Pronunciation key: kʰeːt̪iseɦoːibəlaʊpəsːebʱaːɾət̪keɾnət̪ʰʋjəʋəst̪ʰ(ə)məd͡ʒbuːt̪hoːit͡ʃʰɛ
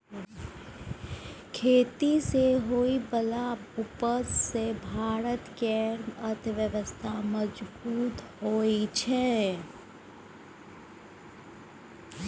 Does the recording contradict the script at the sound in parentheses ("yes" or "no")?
yes